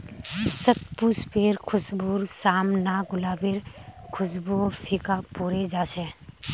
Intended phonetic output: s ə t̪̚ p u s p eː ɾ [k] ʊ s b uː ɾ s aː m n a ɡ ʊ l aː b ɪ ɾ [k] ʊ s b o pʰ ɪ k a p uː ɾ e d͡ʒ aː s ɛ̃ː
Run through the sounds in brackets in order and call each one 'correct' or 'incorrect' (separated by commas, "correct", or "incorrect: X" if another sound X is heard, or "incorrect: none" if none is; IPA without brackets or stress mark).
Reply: incorrect: kʰ, incorrect: kʰ